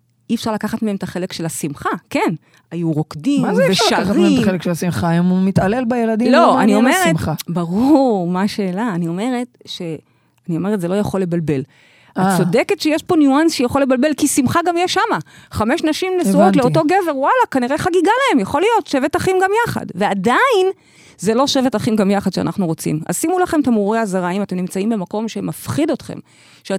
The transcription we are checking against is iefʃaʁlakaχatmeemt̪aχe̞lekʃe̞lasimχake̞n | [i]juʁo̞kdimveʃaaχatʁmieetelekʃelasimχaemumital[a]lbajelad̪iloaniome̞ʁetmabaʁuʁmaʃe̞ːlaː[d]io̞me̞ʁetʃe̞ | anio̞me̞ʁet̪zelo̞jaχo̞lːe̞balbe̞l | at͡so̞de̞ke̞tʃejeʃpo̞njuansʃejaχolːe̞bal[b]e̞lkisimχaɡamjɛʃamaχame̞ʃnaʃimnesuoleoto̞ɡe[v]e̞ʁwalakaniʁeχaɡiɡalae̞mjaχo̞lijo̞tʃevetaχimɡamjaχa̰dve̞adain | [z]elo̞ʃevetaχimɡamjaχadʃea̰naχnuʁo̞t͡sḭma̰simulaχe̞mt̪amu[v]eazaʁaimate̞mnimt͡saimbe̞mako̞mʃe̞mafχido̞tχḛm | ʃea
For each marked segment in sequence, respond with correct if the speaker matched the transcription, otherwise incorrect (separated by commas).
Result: incorrect, incorrect, incorrect, correct, correct, correct, incorrect